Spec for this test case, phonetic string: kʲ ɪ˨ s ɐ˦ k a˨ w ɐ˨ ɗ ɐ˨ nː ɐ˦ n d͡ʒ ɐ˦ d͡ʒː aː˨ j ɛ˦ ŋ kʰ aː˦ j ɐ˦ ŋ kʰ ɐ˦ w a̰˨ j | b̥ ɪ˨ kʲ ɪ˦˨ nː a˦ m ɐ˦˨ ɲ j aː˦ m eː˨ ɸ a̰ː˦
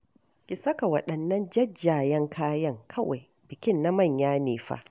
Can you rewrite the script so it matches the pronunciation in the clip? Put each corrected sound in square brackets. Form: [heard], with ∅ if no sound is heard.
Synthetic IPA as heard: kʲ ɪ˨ s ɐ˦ k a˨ w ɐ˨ ɗ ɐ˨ nː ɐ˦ n d͡ʒ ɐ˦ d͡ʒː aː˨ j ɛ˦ ŋ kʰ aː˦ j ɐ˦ ŋ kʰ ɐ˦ w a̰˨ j | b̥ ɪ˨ kʲ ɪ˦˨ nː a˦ m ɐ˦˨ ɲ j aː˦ [n] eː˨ ɸ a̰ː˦